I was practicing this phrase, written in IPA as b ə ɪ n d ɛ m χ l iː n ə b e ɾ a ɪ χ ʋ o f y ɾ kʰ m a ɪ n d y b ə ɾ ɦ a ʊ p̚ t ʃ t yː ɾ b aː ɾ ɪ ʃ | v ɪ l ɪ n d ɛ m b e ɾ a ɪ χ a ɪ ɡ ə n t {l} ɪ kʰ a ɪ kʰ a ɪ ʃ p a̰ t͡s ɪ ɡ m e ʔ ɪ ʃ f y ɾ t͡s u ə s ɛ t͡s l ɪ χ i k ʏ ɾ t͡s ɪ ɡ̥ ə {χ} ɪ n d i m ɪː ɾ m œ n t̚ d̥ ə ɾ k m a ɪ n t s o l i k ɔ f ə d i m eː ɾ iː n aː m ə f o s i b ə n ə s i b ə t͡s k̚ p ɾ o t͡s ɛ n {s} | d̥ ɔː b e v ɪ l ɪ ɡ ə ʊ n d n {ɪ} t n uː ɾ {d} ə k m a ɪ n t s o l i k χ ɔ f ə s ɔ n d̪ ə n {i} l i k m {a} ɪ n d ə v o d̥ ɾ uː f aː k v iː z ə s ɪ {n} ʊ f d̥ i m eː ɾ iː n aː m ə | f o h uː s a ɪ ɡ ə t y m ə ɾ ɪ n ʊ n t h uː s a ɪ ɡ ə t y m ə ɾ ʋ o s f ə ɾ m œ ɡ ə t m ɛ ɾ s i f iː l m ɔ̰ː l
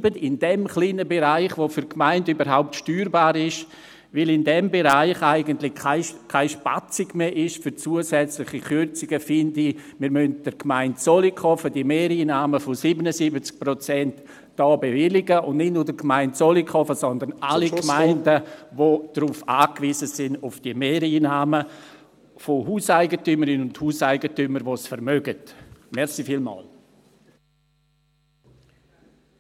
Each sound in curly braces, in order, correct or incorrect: correct, incorrect: f, incorrect: t, correct, correct, incorrect: a, correct, correct

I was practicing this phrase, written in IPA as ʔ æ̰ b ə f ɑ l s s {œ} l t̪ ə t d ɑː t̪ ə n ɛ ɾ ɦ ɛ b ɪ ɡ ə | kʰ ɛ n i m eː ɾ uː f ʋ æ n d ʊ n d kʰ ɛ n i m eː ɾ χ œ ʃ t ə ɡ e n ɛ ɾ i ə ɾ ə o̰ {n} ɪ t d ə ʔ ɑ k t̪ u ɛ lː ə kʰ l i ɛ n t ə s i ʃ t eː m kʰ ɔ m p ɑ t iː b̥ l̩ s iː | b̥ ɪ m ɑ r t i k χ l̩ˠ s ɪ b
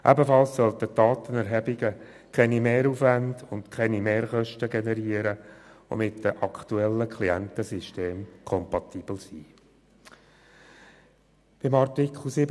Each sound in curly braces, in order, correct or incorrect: correct, incorrect: m

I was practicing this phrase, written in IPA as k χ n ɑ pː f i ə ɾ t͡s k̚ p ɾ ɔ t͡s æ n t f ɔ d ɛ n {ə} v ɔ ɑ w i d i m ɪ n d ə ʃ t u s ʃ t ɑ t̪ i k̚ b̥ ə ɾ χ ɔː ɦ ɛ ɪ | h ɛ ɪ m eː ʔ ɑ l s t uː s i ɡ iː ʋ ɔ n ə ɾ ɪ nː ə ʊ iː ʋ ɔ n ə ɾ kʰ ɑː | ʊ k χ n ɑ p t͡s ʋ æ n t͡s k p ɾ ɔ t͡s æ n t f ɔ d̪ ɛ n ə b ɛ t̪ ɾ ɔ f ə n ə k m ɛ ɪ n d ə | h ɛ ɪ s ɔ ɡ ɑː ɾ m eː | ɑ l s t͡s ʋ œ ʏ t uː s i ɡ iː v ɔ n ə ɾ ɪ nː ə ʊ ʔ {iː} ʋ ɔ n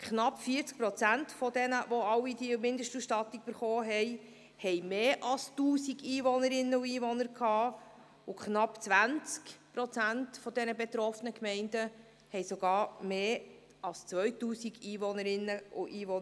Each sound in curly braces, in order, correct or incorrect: correct, correct

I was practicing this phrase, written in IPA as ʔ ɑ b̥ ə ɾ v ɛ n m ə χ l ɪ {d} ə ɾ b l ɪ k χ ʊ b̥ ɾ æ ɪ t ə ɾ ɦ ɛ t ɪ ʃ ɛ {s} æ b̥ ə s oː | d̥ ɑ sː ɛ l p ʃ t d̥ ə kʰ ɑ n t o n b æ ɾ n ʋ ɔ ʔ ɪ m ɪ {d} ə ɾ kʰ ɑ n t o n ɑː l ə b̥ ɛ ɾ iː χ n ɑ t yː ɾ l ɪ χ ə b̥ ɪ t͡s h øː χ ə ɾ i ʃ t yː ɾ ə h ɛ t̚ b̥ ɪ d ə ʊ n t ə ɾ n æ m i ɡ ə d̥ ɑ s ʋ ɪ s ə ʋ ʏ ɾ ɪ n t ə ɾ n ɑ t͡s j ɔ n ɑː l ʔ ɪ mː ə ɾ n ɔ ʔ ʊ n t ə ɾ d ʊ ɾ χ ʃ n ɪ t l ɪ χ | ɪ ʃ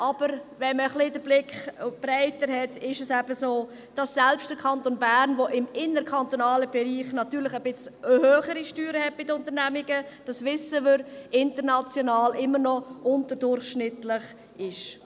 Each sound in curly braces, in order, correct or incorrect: correct, correct, incorrect: n

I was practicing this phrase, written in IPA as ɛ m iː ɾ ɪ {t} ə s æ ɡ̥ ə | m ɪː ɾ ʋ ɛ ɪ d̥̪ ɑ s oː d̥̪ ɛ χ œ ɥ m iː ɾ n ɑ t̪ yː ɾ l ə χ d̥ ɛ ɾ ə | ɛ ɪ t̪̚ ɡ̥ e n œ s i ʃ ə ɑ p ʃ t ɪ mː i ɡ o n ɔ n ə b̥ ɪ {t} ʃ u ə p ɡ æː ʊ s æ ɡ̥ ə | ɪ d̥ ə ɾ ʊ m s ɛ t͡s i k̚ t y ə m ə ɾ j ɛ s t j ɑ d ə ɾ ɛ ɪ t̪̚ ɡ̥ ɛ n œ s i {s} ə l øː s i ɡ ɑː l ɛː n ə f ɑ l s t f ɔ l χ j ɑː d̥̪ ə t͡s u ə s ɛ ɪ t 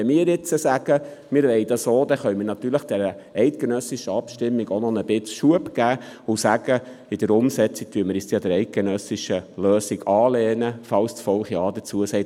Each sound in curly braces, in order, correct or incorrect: incorrect: t͡s, incorrect: t͡s, incorrect: ʃ

